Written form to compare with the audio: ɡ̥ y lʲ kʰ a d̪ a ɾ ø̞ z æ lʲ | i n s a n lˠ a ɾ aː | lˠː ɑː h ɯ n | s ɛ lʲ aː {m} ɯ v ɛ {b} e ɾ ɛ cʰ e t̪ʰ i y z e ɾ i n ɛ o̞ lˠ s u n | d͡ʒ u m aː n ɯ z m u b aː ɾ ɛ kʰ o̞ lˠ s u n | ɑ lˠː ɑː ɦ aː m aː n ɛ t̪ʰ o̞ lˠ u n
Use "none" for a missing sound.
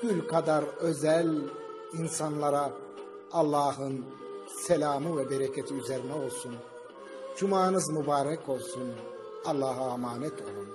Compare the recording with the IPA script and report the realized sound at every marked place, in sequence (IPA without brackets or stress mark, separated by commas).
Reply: m, b